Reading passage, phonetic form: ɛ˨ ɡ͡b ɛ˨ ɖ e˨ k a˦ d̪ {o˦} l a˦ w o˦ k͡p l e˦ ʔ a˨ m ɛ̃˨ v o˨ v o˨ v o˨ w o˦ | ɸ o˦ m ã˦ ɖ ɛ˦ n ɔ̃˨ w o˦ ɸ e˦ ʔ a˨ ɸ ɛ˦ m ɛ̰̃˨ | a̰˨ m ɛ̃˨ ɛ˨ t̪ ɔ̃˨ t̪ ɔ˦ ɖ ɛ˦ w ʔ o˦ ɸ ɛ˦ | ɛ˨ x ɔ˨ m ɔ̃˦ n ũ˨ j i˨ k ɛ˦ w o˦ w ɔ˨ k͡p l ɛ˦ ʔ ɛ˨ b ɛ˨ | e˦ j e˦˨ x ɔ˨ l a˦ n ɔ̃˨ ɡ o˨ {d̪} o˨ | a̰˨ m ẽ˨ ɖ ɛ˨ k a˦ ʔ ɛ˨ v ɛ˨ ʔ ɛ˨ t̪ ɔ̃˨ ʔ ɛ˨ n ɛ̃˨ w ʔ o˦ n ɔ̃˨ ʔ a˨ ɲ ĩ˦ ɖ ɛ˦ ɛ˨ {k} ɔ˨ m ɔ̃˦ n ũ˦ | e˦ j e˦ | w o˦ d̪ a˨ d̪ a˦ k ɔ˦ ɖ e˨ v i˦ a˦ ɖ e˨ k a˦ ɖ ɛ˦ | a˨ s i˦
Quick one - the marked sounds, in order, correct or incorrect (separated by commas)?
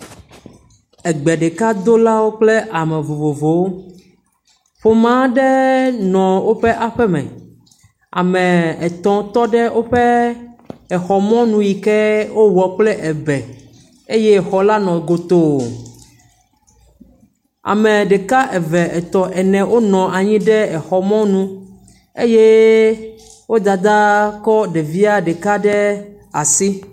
correct, incorrect, incorrect